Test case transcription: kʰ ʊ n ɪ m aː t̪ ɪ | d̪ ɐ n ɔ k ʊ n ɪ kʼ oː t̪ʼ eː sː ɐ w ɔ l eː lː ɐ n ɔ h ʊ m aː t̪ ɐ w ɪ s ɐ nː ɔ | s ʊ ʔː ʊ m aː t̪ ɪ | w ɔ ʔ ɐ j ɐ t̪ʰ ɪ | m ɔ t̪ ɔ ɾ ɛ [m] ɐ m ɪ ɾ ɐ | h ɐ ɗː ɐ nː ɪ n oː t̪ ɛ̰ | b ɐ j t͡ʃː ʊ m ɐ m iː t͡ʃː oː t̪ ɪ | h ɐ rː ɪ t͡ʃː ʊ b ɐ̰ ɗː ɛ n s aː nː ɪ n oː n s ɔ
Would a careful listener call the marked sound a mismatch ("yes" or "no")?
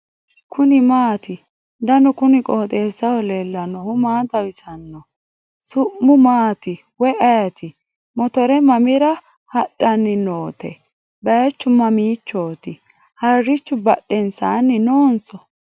no